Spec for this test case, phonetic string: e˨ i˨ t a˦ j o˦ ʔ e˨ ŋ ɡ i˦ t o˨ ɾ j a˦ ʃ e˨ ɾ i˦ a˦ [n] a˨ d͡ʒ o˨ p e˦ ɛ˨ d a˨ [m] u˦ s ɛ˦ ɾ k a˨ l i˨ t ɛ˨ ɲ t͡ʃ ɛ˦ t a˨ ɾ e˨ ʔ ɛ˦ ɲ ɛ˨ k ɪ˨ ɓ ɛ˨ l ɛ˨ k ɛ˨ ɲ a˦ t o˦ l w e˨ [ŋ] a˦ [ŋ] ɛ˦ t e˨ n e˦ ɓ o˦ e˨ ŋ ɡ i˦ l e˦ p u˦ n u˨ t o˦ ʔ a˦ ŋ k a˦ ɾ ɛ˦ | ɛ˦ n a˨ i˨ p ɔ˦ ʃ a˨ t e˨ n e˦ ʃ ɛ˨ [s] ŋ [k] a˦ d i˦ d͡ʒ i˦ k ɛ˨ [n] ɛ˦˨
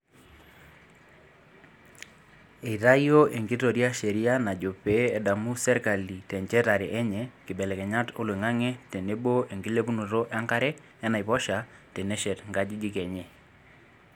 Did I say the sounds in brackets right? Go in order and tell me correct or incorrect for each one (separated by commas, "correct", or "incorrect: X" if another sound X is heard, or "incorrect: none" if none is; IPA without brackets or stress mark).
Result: correct, correct, correct, correct, incorrect: t, incorrect: ɡ, incorrect: ɲ